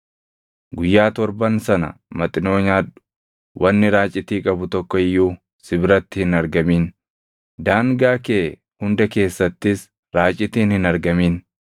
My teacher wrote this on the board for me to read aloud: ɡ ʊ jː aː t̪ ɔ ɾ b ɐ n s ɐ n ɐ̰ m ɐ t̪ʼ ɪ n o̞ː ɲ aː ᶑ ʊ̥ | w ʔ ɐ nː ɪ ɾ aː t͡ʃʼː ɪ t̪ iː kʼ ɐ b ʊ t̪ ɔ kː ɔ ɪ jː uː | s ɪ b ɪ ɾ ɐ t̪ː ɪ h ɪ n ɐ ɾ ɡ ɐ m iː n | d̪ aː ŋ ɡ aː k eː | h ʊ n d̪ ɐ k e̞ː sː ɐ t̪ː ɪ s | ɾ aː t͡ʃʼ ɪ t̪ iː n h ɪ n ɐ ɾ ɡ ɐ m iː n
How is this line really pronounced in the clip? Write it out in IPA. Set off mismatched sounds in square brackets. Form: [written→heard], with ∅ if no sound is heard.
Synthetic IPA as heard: ɡ ʊ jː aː t̪ ɔ ɾ b ɐ n s ɐ n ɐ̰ m ɐ t̪ʼ ɪ n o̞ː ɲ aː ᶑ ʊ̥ | w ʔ ɐ nː ɪ ɾ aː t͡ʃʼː ɪ t̪ iː kʼ ɐ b ʊ t̪ ɔ kː ɔ ɪ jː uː | s ɪ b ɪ ɾ ɐ t̪ː ɪ h ɪ n ɐ ɾ ɡ ɐ m iː n | d̪ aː ŋ ɡ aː k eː | h ʊ n d̪ ɐ k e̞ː sː ɐ t̪ː ɪ s | ɾ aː t͡ʃʼ ɪ t̪ iː n h ɪ n ɐ ɾ ɡ ɐ m iː n